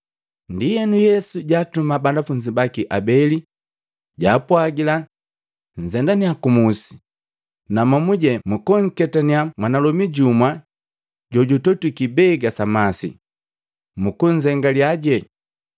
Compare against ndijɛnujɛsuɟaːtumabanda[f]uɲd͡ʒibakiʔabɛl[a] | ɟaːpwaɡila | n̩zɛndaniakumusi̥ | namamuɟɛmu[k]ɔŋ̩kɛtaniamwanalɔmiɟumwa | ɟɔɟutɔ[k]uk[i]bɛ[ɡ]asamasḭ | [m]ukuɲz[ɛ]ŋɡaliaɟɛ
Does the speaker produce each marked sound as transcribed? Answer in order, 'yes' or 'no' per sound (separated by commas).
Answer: yes, no, yes, no, yes, yes, yes, yes